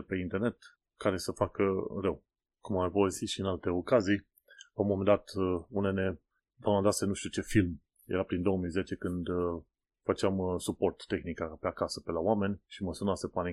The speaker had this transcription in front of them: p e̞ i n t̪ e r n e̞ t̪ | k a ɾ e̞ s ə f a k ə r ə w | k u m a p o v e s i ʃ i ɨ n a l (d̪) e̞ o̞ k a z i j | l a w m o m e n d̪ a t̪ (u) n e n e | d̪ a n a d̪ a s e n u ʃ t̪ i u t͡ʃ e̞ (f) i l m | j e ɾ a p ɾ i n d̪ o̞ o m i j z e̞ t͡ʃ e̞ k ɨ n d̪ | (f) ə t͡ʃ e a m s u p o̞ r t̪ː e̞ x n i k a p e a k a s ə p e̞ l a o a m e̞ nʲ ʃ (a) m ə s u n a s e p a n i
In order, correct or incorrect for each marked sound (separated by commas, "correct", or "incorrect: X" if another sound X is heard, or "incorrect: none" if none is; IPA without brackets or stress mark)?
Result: incorrect: t̪, correct, correct, correct, incorrect: i